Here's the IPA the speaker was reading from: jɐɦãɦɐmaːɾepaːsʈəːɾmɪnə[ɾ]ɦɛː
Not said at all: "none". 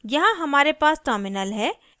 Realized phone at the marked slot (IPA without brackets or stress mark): l